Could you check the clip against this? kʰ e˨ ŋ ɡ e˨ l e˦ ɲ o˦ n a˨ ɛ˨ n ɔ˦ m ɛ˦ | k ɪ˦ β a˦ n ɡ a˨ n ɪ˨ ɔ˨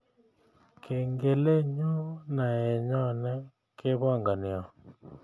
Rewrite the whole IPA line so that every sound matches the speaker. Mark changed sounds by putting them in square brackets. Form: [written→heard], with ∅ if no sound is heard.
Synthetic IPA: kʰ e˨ ŋ ɡ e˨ l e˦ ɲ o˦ n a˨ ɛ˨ [n→ɲ] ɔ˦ [m→n] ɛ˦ | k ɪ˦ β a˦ [n→ŋ] ɡ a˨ n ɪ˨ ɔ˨